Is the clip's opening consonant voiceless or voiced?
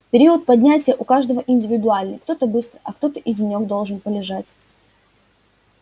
voiceless